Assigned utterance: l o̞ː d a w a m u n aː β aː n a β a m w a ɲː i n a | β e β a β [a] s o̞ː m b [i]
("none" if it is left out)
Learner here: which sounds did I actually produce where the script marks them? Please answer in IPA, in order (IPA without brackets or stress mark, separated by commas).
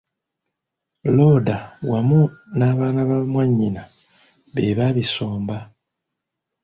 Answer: i, a